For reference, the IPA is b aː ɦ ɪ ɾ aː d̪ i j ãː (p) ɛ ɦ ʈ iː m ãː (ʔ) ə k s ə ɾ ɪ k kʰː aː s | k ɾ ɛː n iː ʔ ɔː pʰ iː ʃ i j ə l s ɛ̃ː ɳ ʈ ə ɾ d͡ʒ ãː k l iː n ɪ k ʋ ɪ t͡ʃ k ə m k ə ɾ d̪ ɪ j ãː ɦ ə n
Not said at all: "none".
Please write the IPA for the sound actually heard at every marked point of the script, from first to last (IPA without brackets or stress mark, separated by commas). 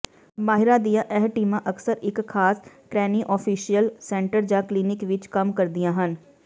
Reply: ʔ, ʔ